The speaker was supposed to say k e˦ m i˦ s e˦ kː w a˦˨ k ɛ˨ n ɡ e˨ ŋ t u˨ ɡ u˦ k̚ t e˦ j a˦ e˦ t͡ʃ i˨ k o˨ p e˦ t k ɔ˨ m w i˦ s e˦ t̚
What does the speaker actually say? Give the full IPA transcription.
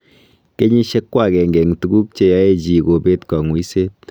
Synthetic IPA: k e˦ ɲ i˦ ʃ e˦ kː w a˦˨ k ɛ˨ ŋ ɡ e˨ ŋ t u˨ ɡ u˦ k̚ t͡ʃ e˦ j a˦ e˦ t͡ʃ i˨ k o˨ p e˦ t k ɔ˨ ŋ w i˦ s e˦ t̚